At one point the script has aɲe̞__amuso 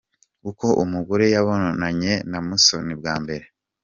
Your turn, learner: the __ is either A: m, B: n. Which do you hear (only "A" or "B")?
B